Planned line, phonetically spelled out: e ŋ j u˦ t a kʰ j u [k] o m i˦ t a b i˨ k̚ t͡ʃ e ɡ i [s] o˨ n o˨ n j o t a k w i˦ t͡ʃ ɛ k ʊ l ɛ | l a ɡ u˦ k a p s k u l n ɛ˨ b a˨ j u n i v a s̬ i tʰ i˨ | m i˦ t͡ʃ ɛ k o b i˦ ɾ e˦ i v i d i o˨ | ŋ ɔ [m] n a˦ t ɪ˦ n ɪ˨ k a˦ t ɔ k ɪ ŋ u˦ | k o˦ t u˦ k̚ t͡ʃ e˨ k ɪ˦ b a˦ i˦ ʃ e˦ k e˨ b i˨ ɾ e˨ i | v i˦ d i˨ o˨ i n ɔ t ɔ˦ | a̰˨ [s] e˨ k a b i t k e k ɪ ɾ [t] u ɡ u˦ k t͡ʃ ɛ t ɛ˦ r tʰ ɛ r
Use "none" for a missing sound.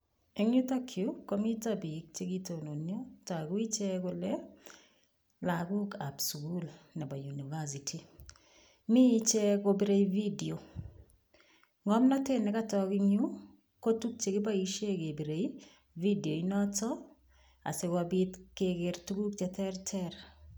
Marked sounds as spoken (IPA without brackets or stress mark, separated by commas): k, t, m, s, t